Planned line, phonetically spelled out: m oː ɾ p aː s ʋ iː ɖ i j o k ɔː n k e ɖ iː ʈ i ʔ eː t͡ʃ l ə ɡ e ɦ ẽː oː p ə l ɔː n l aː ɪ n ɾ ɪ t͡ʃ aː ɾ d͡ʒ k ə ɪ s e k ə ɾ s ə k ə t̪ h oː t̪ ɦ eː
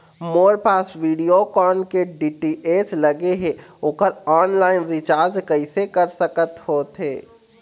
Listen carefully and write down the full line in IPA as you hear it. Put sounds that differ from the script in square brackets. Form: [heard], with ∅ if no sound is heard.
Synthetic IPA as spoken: m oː ɾ p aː s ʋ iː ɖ i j o k ɔː n k e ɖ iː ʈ i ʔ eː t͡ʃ l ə ɡ e ɦ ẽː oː [k] ə [ɾ] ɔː n l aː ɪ n ɾ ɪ t͡ʃ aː ɾ d͡ʒ k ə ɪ s e k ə ɾ s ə k ə t̪ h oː t̪ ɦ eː